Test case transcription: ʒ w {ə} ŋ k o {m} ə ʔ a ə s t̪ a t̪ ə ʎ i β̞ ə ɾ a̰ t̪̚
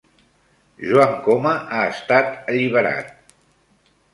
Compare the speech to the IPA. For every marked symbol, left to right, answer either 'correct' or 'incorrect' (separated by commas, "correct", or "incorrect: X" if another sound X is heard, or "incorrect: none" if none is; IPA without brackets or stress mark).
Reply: incorrect: a, correct